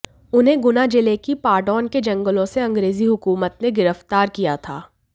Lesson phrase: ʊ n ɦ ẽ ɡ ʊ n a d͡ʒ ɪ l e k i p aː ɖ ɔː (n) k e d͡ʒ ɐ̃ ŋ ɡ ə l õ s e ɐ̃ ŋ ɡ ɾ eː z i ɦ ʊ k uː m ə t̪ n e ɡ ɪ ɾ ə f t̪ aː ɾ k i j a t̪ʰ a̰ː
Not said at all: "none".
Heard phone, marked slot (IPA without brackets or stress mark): n